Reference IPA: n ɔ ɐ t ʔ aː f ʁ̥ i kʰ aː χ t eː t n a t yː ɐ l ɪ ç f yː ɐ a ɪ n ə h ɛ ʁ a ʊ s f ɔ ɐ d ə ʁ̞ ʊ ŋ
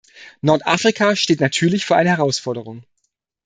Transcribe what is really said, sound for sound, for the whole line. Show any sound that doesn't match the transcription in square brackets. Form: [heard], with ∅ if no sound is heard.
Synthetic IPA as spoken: n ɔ ɐ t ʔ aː f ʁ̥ i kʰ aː [ʃ] t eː t n a [tʰ] yː ɐ l ɪ ç f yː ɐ a ɪ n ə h ɛ ʁ a ʊ s f ɔ ɐ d ə ʁ̞ ʊ ŋ